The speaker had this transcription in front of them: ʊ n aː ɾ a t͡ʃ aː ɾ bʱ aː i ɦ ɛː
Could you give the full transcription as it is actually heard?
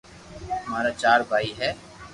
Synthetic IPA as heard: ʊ m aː ɾ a t͡ʃ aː ɾ bʱ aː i ɦ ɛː